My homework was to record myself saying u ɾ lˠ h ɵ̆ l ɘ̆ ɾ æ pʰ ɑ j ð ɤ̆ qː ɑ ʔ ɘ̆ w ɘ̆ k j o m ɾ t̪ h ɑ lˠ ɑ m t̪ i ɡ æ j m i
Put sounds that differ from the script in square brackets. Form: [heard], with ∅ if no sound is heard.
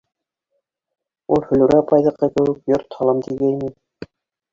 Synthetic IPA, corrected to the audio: u [∅] lˠ h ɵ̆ l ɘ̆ ɾ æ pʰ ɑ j ð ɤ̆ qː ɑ [k] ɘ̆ w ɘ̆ k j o [∅] ɾ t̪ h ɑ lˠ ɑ m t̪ i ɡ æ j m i